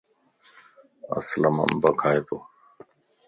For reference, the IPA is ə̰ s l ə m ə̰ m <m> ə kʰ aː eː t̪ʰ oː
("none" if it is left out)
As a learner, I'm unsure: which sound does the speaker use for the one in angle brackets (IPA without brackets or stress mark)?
b